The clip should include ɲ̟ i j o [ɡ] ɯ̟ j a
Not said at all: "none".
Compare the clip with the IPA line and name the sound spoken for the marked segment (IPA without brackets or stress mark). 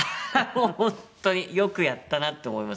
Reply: k